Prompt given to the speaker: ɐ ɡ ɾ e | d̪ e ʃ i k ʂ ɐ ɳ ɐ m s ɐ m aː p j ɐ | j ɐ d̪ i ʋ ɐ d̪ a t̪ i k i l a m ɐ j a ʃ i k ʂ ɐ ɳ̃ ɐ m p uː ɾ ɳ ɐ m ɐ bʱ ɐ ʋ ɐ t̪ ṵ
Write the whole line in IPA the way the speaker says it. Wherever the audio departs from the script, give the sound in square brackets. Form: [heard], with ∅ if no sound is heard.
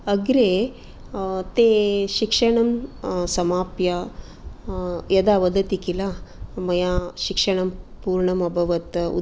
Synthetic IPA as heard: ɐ ɡ ɾ e | [t̪] e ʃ i k ʂ ɐ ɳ ɐ m s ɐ m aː p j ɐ | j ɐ d̪ [a] ʋ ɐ d̪ [ɐ] t̪ i k i l a m ɐ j a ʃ i k ʂ ɐ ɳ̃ ɐ m p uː ɾ ɳ ɐ m ɐ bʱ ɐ ʋ ɐ t̪ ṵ